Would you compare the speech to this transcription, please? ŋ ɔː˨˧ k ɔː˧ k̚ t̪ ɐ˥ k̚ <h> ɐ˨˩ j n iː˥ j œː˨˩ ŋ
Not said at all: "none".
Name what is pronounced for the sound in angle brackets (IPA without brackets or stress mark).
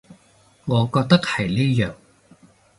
h